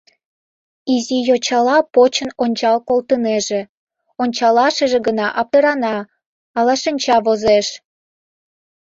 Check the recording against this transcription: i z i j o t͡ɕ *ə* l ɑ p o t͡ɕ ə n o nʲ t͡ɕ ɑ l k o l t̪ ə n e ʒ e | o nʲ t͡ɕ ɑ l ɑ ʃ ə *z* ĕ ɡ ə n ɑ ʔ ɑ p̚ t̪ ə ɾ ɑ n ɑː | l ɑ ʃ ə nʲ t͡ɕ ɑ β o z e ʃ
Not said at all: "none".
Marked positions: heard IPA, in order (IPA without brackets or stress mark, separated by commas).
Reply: ɑ, ʒ